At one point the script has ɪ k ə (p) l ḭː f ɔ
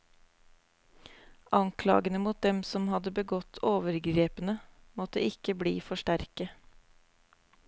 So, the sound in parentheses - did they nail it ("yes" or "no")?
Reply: no